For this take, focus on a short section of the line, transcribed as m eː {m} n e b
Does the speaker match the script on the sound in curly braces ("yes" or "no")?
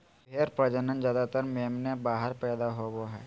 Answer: yes